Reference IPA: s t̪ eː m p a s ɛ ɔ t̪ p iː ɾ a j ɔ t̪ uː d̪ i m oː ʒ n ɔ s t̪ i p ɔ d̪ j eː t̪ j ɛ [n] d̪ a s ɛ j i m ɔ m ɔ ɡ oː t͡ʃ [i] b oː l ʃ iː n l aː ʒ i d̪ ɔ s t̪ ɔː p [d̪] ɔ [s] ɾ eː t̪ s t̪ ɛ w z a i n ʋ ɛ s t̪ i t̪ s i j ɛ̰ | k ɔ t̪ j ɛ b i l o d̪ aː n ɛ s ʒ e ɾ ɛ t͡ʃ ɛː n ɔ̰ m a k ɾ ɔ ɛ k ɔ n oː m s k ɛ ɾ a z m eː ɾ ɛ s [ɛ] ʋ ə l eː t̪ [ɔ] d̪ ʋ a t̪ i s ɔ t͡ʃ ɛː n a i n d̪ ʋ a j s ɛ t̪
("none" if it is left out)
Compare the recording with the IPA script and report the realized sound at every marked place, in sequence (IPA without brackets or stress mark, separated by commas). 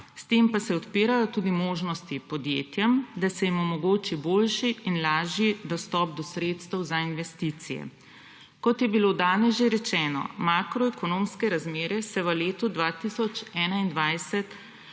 m, i, d̪, s, ɛ, u